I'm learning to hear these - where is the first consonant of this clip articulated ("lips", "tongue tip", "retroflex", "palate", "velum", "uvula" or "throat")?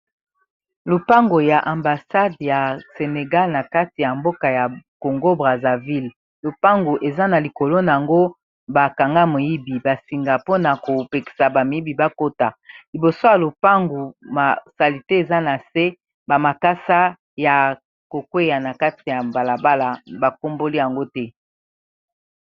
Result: tongue tip